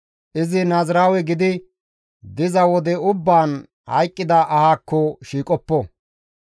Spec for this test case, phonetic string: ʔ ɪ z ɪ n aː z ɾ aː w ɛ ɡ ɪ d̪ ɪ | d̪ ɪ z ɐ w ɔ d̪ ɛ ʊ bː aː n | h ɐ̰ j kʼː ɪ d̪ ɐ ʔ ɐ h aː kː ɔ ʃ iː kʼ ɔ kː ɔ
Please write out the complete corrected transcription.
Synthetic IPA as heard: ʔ ɪ z ɪ n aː z ɾ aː w ɛ ɡ ɪ d̪ ɪ | d̪ ɪ z ɐ w ɔ d̪ ɛ ʊ bː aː n | h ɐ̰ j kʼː ɪ d̪ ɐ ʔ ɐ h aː kː ɔ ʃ iː kʼ ɔ pː ɔ